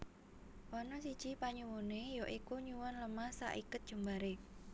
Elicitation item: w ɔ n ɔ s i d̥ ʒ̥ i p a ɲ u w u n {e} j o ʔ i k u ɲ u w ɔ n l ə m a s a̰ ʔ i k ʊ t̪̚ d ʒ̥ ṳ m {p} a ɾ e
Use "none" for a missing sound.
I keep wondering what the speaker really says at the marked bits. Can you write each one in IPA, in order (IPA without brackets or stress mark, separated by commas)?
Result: e, b